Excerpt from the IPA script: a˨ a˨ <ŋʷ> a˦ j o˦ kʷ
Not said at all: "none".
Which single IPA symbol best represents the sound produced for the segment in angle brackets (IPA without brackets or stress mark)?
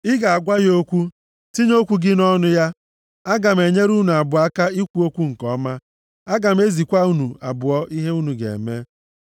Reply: ɡʷ